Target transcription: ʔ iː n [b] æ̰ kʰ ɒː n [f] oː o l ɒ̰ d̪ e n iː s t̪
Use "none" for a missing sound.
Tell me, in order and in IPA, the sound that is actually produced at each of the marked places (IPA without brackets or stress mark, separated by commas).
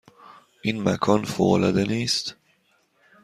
m, f